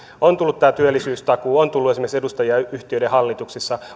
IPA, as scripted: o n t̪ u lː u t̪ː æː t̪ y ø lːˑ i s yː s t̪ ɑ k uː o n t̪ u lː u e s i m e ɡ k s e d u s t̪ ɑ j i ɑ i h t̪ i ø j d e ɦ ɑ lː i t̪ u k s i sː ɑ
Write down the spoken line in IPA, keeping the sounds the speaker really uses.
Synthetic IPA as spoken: o n t̪ u lː u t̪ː æː t̪ y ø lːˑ i s yː s t̪ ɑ k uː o n t̪ u lː u e s i m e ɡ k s e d u s t̪ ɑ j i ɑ y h t̪ i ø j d e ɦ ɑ lː i t̪ u k s i sː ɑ